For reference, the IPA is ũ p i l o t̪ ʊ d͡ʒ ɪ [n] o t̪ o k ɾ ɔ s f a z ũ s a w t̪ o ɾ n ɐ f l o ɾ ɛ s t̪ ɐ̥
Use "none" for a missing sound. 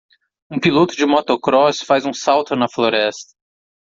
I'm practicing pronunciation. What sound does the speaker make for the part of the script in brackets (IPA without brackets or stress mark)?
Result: m